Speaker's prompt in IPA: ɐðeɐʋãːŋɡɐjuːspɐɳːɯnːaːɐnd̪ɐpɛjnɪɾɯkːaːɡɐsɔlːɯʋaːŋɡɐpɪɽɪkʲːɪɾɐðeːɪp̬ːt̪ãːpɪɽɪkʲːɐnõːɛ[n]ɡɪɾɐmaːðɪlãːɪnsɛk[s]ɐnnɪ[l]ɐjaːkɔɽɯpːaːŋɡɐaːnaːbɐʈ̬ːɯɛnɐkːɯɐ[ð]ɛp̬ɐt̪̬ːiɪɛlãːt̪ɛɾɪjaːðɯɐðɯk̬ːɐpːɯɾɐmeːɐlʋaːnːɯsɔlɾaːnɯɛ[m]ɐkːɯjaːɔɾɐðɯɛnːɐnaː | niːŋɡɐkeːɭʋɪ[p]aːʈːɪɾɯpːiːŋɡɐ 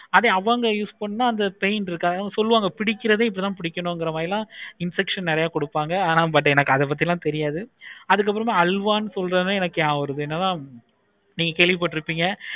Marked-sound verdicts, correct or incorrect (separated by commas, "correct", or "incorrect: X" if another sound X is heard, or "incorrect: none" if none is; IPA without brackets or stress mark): incorrect: ŋ, incorrect: ʂ, incorrect: ɾ, correct, incorrect: n, correct